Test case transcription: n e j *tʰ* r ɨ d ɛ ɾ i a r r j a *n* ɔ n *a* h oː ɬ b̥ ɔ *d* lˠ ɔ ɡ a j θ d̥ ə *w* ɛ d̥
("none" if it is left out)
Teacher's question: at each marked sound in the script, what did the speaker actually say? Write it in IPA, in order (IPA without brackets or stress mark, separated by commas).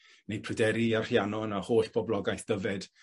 pʰ, n, a, b, v